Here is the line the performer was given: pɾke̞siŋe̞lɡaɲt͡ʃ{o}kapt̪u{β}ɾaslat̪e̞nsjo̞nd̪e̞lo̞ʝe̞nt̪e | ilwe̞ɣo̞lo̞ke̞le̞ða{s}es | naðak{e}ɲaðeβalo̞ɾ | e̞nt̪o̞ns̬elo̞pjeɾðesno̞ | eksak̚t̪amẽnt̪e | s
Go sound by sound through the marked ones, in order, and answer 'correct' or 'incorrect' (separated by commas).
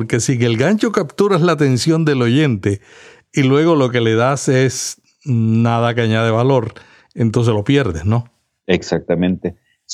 correct, incorrect, correct, incorrect